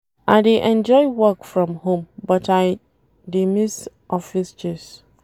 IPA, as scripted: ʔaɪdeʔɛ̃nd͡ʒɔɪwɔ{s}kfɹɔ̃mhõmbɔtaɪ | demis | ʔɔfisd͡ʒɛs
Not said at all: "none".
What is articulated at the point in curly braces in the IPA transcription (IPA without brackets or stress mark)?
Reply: none